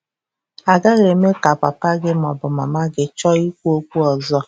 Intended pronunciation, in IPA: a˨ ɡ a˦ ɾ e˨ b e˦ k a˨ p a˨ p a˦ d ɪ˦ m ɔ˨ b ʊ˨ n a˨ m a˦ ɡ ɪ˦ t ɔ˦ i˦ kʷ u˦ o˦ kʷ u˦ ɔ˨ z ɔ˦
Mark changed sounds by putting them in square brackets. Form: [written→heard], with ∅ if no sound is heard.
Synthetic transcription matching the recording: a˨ ɡ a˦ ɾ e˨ [b→m] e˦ k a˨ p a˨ p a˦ [d→ɡ] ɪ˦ m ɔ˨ b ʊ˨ [n→m] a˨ m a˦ ɡ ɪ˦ [t→t͡ʃ] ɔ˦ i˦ kʷ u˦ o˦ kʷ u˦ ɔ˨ z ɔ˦